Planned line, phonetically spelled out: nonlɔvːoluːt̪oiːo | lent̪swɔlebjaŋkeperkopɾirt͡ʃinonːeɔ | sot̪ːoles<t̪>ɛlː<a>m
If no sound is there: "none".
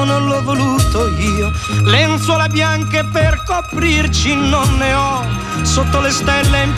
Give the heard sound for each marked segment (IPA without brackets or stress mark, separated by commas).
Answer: t̪, e